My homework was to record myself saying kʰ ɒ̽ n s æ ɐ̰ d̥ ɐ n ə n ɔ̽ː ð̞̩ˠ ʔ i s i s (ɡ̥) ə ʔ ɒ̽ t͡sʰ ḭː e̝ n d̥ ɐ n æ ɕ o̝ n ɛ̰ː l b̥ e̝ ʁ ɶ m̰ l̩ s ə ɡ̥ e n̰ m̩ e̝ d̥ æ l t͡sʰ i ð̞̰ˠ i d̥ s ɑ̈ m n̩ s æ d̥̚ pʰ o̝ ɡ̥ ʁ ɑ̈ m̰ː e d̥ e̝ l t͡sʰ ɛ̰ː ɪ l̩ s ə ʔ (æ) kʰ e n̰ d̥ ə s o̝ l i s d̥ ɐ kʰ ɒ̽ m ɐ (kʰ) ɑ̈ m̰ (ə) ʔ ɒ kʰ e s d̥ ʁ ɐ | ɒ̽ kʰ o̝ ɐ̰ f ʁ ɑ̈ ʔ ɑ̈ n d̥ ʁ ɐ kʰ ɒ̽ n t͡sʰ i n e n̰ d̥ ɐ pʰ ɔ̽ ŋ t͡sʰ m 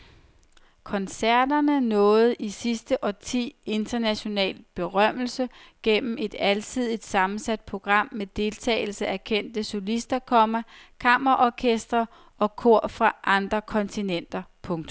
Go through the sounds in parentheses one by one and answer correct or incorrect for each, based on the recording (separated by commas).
incorrect, correct, correct, incorrect